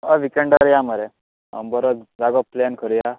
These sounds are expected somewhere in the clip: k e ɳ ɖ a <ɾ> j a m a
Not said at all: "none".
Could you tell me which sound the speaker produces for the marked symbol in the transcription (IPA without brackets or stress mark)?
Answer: ɾ